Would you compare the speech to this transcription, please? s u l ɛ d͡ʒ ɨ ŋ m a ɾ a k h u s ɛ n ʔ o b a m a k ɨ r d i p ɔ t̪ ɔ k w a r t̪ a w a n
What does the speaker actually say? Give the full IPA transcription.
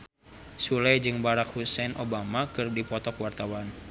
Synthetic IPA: s u l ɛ d͡ʒ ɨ ŋ b a ɾ a k h u s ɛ n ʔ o b a m a k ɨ r d i p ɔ t̪ ɔ k w a r t̪ a w a n